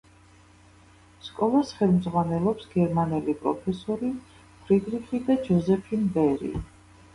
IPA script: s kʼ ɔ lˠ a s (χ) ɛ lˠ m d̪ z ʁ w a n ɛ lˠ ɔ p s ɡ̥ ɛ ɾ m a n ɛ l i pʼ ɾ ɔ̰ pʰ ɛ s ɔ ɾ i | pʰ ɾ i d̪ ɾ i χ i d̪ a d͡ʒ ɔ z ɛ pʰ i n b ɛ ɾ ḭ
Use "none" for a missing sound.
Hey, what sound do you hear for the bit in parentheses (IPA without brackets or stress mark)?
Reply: χ